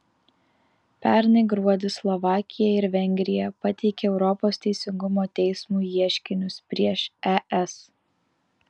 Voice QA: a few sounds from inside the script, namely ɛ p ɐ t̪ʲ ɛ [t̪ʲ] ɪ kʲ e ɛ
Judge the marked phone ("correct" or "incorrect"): incorrect